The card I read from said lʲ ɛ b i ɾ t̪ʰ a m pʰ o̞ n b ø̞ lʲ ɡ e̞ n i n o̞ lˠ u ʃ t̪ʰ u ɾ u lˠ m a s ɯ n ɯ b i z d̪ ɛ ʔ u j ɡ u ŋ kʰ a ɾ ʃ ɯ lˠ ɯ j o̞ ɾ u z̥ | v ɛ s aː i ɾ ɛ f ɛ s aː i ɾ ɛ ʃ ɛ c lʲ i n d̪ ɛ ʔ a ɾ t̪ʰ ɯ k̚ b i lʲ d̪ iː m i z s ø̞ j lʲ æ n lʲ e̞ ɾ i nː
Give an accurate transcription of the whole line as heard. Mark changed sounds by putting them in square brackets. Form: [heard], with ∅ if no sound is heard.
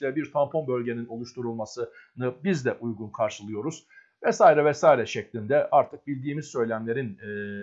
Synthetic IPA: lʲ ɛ b i ɾ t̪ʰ a m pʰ o̞ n b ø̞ lʲ [ɟ] e̞ n i n o̞ lˠ u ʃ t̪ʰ u ɾ u lˠ m a s ɯ n ɯ b i z d̪ ɛ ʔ u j ɡ u [n] kʰ a ɾ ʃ ɯ lˠ ɯ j o̞ ɾ u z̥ | v ɛ s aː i ɾ ɛ [v] ɛ s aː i ɾ ɛ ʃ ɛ c lʲ i n d̪ ɛ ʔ a ɾ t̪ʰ ɯ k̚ b i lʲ d̪ iː m i z s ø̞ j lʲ æ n lʲ e̞ ɾ i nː